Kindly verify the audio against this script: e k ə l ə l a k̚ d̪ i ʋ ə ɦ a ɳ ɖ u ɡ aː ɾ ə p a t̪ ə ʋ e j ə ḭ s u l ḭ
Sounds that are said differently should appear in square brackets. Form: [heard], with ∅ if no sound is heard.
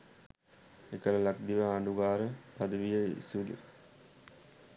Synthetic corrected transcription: e k ə l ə l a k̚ d̪ i ʋ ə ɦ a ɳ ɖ u ɡ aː ɾ ə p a [d̪] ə ʋ [i] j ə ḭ s u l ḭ